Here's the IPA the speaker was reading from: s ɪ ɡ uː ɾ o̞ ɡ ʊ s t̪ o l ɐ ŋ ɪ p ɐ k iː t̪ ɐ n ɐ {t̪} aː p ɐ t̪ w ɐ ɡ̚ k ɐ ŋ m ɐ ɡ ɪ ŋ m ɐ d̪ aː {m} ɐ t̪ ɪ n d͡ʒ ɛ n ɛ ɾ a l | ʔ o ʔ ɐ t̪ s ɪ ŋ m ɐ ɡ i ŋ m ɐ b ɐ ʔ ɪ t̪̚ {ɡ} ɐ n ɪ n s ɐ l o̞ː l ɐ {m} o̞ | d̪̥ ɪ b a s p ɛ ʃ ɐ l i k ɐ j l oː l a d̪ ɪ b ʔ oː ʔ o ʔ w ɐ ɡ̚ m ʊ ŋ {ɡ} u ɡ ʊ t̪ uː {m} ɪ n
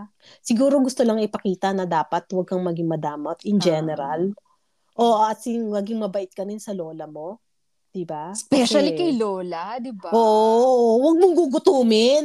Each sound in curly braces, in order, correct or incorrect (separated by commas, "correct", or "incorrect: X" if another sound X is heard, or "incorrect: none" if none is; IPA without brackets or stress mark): incorrect: d̪, correct, incorrect: k, correct, correct, correct